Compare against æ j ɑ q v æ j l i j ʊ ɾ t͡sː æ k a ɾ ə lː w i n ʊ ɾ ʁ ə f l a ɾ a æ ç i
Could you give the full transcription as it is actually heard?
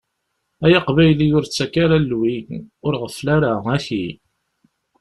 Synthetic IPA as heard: æ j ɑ q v æ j l i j ʊ ɾ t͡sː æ k a ɾ a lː w i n ʊ ɾ ʁ ə f l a ɾ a æ ç i